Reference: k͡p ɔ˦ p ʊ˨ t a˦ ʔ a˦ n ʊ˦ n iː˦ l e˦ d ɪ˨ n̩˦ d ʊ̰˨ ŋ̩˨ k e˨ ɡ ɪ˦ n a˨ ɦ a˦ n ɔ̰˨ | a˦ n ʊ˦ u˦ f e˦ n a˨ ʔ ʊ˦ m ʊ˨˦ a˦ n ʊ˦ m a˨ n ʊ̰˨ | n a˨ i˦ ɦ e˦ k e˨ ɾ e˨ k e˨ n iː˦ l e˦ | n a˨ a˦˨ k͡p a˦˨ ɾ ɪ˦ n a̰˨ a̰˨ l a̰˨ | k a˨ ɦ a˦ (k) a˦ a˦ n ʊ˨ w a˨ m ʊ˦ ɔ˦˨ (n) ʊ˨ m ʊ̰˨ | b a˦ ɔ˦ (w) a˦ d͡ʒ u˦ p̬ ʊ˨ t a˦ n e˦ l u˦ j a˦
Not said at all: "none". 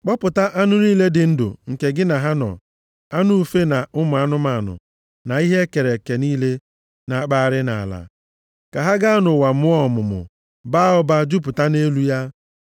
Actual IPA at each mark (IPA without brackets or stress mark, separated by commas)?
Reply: ɡ, m, b